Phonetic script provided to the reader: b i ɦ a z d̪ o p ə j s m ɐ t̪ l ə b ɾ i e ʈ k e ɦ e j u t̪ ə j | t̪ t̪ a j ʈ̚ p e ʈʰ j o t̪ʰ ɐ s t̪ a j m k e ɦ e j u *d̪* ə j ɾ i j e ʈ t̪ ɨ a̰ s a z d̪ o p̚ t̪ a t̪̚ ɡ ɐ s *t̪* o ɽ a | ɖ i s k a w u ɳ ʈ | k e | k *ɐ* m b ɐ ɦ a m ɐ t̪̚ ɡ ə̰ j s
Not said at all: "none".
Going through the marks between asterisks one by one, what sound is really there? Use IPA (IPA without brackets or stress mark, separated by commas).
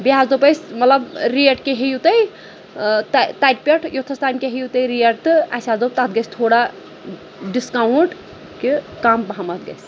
t̪, t̪ʰ, a